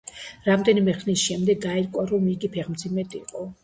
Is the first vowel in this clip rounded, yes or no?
no